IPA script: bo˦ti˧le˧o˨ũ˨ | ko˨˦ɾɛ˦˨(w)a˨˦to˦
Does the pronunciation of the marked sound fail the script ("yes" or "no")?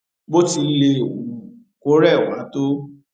no